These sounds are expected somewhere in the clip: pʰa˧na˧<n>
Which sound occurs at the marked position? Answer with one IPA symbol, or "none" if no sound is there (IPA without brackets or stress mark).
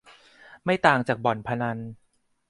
n